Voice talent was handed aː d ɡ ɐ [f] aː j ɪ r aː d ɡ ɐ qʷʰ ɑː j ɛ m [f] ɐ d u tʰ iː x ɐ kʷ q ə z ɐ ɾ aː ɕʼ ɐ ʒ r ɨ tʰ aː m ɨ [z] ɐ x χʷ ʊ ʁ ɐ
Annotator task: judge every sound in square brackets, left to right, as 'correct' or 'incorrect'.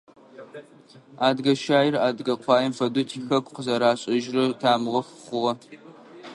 incorrect, correct, incorrect

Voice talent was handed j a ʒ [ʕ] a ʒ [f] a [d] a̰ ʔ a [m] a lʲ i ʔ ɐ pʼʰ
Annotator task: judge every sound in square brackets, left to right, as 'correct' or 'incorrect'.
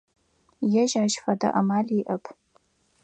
correct, correct, correct, correct

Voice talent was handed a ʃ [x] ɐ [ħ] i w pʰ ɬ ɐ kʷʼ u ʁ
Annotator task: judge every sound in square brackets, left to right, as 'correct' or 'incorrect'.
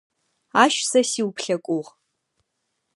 incorrect, incorrect

